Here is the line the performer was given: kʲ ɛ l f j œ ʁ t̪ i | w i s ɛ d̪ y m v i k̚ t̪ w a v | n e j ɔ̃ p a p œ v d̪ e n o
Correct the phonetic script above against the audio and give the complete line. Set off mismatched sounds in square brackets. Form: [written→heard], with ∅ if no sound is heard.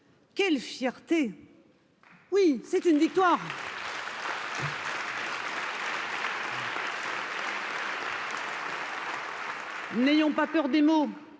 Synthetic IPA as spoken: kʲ ɛ l f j [œ→ɛ] ʁ t̪ [i→e] | w i s ɛ [d̪→t̪] y [m→n] v i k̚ t̪ w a [v→ʁ] | n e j ɔ̃ p a p œ [v→ʁ] d̪ e [n→m] o